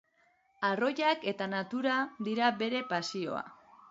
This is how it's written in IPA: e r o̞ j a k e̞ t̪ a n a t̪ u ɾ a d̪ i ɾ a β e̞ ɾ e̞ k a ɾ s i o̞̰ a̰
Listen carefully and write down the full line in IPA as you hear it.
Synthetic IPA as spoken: a r o̞ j a k e̞ t̪ a n a t̪ u ɾ a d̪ i ɾ a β e̞ ɾ e̞ p a s i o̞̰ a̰